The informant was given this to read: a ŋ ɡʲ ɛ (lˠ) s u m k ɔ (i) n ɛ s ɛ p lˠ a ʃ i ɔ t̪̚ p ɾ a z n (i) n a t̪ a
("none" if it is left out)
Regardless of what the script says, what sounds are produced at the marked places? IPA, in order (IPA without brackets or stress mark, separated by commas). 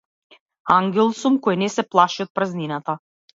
lˠ, j, i